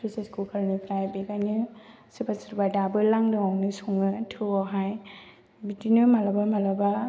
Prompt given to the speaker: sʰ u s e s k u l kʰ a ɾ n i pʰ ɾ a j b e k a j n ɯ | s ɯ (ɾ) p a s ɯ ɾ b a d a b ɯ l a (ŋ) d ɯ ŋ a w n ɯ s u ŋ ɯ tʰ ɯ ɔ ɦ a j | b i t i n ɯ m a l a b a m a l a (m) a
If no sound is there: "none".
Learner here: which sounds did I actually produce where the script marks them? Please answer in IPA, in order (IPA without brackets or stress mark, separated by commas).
none, ŋ, b